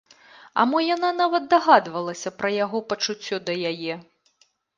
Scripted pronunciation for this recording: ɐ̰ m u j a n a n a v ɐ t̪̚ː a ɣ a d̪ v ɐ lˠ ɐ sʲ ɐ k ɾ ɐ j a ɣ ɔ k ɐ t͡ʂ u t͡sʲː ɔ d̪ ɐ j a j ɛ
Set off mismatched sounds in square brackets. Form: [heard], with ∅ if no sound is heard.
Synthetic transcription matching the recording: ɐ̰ m [ɔ] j a n a n a v ɐ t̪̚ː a ɣ a d̪ v ɐ lˠ ɐ sʲ ɐ [p] ɾ ɐ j a ɣ ɔ [p] ɐ t͡ʂ u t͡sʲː ɔ d̪ ɐ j a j ɛ